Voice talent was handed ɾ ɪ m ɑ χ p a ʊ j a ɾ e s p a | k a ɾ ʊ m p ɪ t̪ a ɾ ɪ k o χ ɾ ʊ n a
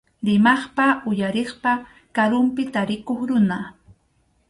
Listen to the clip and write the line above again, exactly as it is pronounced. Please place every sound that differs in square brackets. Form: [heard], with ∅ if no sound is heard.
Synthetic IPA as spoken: ɾ ɪ m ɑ χ p a ʊ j a ɾ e [χ] p a | k a ɾ ʊ m p ɪ t̪ a ɾ ɪ k o χ ɾ ʊ n a